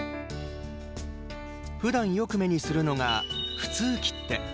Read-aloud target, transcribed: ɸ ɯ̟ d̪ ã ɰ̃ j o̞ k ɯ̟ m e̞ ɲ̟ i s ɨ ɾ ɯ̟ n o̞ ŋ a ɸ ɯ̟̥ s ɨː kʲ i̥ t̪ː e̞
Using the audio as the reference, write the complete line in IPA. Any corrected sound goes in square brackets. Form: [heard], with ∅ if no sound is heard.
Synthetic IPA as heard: ɸ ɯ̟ d̪ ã ɰ̃ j o̞ k ɯ̟ m e̞ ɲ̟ i s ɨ ɾ ɯ̟ n o̞ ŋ a ɸ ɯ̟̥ [t͡s] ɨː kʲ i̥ t̪ː e̞